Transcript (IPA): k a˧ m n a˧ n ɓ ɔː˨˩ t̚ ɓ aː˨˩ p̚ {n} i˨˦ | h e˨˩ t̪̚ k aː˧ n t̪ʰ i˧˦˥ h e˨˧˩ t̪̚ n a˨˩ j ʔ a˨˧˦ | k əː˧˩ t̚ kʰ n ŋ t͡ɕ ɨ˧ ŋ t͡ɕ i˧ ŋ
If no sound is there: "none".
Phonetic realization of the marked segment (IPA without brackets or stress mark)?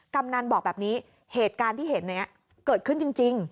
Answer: n